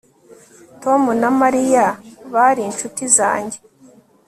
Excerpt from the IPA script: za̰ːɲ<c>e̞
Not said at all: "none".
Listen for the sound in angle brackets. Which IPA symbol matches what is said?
ɟ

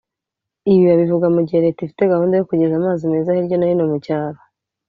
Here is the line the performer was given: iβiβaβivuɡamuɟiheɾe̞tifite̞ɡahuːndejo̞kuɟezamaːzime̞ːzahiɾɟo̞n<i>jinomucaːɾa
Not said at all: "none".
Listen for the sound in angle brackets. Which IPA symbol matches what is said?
a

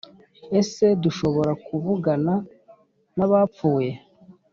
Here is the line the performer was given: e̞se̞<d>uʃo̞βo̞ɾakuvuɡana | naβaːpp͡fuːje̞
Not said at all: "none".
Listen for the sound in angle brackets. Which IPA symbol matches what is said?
d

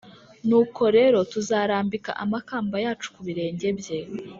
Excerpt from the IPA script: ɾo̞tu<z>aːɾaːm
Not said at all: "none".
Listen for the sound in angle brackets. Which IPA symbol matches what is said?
z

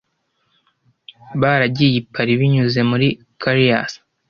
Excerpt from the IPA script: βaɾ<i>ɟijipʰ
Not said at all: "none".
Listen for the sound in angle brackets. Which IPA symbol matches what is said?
a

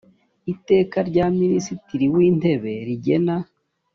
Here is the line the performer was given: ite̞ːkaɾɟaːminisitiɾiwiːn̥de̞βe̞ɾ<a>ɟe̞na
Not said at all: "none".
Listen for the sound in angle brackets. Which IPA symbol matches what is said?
i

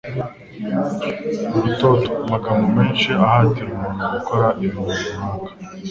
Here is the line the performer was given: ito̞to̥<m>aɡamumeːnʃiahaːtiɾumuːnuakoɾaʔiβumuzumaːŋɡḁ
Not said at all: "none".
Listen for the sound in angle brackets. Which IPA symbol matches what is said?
m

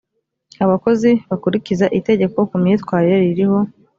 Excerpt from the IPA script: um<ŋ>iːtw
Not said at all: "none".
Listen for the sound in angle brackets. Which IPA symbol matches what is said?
ɲ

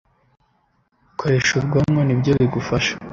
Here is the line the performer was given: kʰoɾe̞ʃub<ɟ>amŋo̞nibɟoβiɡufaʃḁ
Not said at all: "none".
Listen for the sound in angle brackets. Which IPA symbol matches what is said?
ɡ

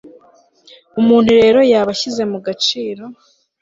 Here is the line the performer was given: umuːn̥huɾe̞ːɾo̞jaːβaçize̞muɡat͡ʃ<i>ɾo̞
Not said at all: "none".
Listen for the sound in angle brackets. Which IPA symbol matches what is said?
iː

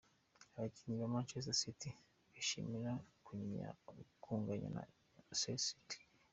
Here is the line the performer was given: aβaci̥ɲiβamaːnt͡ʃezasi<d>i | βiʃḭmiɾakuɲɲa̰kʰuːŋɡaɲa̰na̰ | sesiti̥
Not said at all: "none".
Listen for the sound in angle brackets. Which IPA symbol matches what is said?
t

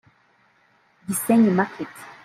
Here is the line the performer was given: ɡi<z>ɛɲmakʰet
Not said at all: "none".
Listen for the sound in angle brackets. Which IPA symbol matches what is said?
s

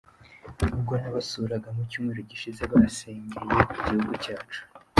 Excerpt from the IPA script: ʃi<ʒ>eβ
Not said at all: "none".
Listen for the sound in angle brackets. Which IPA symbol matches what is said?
z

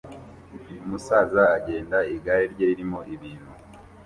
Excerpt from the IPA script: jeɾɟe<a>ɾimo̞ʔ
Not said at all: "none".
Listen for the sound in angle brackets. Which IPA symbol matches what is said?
i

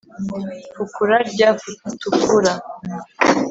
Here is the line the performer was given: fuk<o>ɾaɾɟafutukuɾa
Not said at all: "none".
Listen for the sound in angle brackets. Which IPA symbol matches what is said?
u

